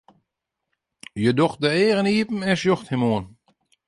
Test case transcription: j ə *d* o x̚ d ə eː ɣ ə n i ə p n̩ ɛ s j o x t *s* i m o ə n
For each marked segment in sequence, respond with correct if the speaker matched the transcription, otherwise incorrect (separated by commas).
correct, incorrect